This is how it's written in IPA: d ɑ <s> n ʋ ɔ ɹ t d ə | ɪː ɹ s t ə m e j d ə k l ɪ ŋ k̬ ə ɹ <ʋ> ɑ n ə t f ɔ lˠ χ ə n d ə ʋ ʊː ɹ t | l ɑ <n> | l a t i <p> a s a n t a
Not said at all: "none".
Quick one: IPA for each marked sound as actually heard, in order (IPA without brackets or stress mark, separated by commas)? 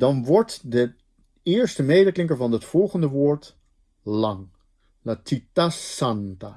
none, v, ŋ, t